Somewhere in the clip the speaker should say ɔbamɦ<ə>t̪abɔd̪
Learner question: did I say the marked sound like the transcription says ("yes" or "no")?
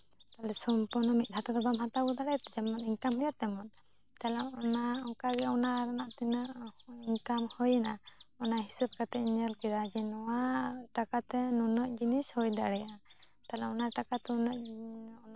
no